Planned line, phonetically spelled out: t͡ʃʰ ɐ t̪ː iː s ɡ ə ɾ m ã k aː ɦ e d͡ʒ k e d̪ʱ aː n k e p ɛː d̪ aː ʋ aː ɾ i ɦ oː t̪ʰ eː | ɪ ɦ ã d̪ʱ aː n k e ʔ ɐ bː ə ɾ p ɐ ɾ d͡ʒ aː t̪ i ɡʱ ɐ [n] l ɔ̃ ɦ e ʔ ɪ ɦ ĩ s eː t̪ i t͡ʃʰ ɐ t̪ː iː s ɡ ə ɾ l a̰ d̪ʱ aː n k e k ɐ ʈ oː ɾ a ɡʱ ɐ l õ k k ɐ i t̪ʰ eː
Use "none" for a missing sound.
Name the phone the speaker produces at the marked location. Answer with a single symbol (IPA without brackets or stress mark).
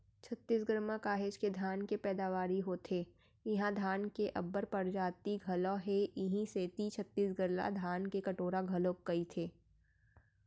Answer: none